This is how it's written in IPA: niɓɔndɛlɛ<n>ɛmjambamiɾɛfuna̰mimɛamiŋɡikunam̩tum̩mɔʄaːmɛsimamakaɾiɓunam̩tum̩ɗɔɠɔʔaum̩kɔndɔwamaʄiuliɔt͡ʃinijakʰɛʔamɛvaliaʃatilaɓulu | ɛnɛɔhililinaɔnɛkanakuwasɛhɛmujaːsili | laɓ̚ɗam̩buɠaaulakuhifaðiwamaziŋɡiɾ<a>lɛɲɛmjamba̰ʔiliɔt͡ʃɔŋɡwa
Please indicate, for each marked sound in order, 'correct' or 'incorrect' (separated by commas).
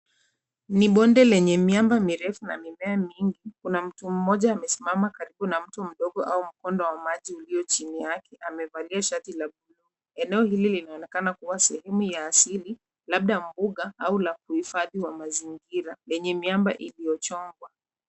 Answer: incorrect, correct